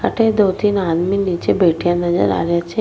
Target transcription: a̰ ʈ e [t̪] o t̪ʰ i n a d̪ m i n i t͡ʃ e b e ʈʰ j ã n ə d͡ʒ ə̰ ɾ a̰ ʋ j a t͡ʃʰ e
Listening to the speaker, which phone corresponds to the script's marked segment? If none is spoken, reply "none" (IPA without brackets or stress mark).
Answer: d̪